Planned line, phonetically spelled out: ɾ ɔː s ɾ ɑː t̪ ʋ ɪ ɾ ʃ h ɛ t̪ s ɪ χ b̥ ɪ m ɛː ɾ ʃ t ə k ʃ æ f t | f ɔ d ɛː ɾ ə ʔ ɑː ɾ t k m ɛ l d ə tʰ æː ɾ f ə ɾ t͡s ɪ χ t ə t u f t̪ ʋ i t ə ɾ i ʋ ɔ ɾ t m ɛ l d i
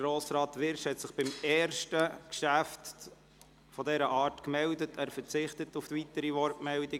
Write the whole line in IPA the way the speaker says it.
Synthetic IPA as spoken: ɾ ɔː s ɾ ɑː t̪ ʋ ɪ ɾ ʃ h ɛ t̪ s ɪ χ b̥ ɪ m ɛː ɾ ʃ t ə k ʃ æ f t | f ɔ d ɛ ɾ ə ʔ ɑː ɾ t k m ɛ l d ə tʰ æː ɾ f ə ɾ t͡s ɪ χ t ə t u f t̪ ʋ i t ə ɾ i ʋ ɔ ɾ t m ɛ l d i